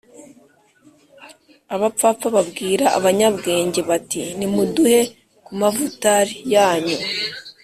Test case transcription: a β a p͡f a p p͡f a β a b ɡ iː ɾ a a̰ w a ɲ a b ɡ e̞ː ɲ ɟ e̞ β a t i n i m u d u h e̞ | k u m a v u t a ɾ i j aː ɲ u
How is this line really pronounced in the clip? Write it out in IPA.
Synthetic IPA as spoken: a β a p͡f a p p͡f a β a b ɡ iː ɾ a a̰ β a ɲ a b ɡ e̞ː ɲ ɟ e̞ β a t i n i m u d u h e̞ | k u m a v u t a ɾ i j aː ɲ u

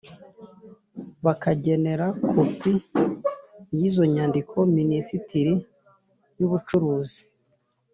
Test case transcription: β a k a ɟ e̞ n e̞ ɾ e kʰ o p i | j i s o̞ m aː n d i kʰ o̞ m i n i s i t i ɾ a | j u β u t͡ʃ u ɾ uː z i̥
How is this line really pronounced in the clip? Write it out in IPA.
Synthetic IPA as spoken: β a k a ɟ e̞ n e̞ ɾ a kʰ o p i | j i z o̞ ɲ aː n d i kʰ o̞ m i n i s i t i ɾ i | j u β u t͡ʃ u ɾ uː z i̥

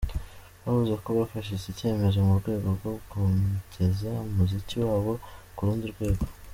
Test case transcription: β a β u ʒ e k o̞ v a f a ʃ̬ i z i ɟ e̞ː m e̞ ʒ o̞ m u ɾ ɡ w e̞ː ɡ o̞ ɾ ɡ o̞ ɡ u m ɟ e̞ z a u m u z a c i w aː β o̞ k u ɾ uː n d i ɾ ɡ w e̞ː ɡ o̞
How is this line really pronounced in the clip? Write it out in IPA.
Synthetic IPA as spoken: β a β u z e k o̞ β a f a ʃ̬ i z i c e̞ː m e̞ z o̞ m u ɾ ɡ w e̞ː ɡ o̞ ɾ ɡ o̞ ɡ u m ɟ e̞ z a u m u z i c i w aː β o̞ k u ɾ uː n d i ɾ ɡ w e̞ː ɡ o̞

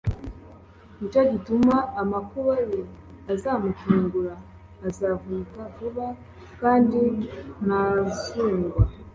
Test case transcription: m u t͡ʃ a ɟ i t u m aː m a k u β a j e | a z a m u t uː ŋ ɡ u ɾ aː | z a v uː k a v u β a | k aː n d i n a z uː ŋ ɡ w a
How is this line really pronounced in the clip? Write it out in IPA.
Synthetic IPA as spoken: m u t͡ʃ a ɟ i t u m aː m a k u β a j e | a z a m u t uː ŋ ɡ u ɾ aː | z a v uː k a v u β a | k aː n d i n a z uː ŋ ɡ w a

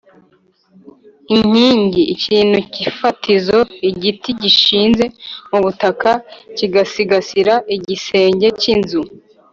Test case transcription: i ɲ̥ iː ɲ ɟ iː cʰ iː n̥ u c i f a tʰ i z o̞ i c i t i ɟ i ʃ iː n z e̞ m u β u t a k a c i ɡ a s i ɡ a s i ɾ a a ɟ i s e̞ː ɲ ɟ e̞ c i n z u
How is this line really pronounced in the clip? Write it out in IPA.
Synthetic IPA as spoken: i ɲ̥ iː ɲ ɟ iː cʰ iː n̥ u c i f a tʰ i z o̞ i ɟ i t i ɟ i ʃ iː n z e̞ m u β u t a k a c i ɡ a s i ɡ a s i ɾ a i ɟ i s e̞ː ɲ ɟ e̞ c i n z u

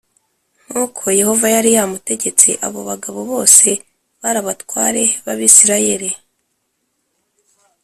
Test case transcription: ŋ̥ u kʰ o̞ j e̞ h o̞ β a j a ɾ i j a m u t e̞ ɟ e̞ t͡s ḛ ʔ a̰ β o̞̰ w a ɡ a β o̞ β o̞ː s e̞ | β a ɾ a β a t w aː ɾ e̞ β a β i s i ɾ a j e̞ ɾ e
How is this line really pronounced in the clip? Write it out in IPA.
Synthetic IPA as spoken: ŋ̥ u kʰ o̞ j e̞ h o̞ v a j a ɾ i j a m u t e̞ ɟ e̞ t͡s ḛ ʔ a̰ β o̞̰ β a ɡ a β o̞ β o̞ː s e̞ | β a ɾ a β a t w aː ɾ e̞ β a β i s i ɾ a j e̞ ɾ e

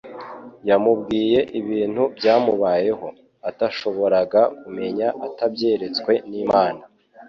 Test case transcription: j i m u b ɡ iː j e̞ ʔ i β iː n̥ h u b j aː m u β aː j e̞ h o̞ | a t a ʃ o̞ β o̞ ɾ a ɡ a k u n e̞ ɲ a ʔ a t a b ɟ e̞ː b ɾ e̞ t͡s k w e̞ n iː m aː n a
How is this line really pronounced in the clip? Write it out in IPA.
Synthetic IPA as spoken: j a m u b ɡ iː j e̞ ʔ i β iː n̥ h u b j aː m u β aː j e̞ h o̞ | a t a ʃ o̞ β o̞ ɾ a ɡ a k u m e̞ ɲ a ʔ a t a b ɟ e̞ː ɾ e̞ t͡s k w e̞ n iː m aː n a

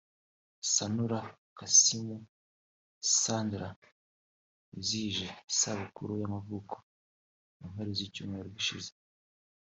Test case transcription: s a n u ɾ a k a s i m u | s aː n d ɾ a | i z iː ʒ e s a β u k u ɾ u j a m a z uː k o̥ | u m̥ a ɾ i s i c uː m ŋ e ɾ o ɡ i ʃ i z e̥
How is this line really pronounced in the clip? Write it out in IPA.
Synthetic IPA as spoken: s a n u ɾ a k a s i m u | s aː n d ɾ a | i z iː ʒ e s a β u k u ɾ u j a m a v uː k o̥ | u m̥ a ɾ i z i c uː m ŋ e ɾ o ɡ i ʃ i z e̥

